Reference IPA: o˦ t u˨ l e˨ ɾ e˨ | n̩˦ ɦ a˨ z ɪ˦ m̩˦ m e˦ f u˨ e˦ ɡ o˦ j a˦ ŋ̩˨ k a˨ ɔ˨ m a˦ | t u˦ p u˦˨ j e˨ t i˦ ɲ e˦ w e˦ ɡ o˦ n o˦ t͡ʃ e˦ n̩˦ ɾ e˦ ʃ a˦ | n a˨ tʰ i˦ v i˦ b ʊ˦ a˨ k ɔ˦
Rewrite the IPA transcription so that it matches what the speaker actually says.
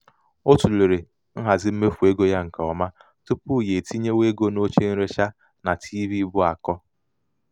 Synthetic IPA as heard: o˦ t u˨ l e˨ ɾ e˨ | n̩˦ ɦ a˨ z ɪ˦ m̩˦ m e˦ f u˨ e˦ ɡ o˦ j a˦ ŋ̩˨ k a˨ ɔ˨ m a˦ | t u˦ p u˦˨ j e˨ t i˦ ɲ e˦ w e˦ ɡ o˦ n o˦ t͡ʃ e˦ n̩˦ ɾ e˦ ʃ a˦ | n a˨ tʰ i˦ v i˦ b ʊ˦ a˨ k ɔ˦